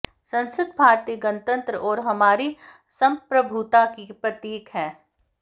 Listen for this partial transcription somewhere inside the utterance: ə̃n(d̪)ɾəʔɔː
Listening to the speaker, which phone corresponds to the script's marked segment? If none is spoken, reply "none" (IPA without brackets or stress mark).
t̪